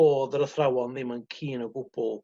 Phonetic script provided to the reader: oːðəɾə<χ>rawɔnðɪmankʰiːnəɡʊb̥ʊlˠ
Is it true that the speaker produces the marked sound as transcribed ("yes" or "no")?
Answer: no